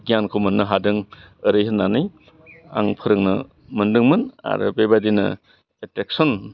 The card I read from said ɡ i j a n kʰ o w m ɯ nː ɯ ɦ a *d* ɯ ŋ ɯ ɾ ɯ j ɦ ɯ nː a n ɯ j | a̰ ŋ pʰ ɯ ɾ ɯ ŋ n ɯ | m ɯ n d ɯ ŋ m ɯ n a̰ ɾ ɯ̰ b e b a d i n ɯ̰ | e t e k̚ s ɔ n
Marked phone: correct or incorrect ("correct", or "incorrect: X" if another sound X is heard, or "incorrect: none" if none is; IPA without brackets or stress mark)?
correct